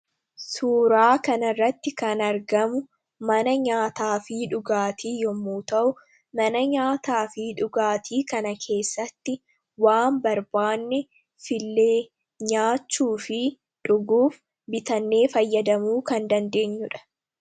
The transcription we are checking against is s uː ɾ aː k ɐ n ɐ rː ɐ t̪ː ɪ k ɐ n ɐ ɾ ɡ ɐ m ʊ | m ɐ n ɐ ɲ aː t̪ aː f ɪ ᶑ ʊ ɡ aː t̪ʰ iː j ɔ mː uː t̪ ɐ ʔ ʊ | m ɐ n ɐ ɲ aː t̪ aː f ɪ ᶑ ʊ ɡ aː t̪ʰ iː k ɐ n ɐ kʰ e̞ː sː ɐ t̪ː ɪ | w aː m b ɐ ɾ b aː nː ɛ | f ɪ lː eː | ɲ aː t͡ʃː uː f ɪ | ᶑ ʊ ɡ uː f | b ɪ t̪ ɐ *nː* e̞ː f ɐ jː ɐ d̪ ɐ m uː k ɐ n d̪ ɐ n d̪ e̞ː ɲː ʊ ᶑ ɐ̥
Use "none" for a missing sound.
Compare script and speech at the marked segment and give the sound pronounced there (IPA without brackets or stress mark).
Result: nː